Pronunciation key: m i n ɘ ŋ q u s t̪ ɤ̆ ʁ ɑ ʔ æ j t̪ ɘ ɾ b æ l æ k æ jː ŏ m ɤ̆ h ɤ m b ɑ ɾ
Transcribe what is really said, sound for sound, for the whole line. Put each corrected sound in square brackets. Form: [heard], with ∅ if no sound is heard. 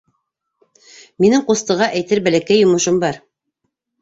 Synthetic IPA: m i n ɘ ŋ q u s t̪ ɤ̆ ʁ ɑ ʔ æ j t̪ ɘ ɾ b æ l æ k æ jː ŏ m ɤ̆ [ʃ] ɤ m b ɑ ɾ